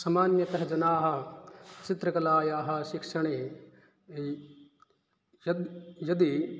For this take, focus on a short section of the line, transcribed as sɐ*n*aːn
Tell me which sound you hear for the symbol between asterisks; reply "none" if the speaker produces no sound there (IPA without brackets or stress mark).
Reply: m